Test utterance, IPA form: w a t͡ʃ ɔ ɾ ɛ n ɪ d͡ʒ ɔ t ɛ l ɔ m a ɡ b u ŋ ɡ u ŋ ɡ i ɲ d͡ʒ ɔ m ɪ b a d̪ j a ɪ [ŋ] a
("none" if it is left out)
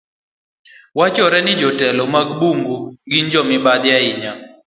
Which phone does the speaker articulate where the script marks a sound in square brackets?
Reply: ɲ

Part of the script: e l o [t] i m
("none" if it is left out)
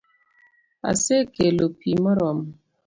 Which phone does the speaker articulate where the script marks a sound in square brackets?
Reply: p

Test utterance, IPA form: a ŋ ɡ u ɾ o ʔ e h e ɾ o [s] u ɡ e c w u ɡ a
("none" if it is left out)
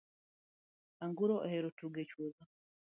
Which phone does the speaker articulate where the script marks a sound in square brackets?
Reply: t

